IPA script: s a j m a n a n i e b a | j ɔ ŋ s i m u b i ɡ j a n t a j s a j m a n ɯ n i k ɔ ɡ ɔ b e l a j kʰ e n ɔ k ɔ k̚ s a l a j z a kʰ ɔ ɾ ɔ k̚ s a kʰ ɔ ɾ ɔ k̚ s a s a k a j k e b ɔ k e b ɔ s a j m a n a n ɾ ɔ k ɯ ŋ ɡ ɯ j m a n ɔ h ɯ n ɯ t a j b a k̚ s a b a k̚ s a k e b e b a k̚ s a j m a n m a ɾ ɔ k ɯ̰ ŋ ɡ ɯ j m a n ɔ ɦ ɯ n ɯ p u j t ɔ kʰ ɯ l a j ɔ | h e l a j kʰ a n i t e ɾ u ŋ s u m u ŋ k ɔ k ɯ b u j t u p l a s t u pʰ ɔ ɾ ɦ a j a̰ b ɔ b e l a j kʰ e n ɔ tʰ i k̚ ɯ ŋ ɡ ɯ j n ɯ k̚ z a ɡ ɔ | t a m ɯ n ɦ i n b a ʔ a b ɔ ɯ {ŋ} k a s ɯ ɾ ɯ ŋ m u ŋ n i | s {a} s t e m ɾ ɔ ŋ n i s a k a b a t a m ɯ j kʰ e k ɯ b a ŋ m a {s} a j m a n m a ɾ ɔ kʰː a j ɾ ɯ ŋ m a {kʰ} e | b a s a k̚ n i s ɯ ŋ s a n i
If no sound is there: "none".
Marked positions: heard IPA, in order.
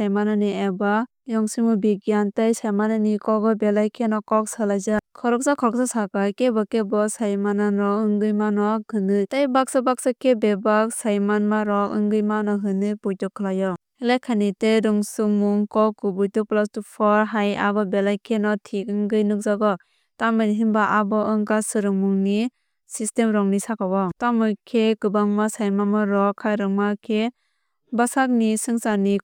ŋ, i, s, kʰ

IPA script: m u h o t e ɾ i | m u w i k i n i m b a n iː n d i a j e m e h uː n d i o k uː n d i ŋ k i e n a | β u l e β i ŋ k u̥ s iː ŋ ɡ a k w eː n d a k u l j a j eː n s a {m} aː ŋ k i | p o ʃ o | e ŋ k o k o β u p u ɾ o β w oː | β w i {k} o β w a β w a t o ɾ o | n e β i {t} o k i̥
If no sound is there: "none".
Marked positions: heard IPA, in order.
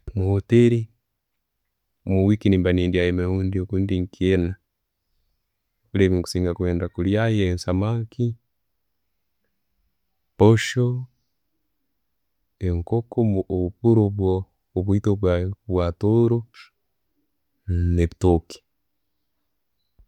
m, t, t

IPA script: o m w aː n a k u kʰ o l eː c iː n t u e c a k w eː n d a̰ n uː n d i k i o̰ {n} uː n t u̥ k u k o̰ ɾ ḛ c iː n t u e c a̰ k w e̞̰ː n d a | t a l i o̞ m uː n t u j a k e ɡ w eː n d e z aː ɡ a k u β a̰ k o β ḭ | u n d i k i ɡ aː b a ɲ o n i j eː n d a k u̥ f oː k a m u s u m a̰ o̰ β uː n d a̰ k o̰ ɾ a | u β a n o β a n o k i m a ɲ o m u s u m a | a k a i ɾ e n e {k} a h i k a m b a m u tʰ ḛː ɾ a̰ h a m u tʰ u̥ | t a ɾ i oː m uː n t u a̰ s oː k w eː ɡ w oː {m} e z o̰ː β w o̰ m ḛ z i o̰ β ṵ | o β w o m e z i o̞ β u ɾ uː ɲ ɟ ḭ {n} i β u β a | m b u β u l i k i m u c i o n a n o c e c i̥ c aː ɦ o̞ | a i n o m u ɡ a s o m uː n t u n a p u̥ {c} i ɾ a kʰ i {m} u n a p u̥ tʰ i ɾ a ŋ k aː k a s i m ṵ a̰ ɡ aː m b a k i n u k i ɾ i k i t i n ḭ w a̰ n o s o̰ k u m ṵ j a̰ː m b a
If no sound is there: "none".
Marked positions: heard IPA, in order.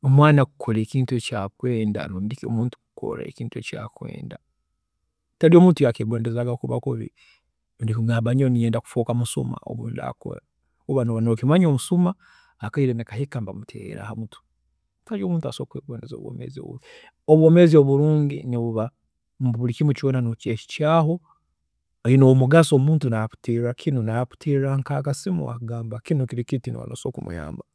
m, k, n, n, t, n

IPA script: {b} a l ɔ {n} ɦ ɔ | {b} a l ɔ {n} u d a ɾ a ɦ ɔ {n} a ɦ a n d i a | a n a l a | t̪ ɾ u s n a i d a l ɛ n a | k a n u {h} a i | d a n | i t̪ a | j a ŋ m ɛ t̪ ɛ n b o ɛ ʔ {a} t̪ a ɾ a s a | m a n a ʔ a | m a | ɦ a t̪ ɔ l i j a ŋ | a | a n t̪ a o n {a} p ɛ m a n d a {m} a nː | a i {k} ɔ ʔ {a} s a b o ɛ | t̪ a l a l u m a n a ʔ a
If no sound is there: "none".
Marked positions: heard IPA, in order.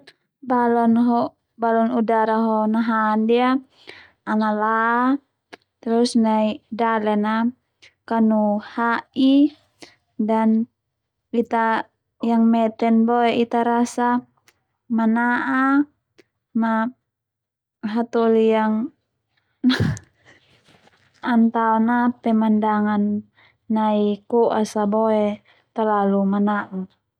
b, n, b, n, n, h, i, a, ŋ, k, a

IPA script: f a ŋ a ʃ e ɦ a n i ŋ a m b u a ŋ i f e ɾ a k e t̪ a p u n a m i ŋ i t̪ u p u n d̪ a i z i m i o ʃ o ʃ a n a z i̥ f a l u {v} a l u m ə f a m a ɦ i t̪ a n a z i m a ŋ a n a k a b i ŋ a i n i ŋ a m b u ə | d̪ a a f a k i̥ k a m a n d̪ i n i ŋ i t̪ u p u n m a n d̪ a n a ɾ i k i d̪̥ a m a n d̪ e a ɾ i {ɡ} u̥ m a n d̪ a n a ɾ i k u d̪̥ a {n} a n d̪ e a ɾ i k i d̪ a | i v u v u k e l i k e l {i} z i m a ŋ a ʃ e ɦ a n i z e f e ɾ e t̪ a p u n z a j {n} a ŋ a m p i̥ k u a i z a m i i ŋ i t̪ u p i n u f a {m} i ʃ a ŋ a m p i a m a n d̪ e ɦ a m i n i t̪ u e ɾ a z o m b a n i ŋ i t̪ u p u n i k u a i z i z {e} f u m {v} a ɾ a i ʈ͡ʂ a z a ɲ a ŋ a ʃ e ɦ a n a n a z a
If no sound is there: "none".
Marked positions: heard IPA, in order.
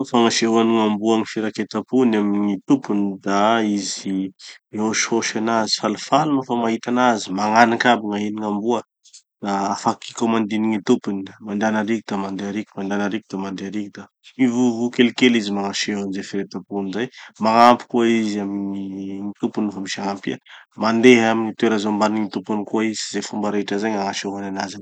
f, k, m, i, m, m, e, b

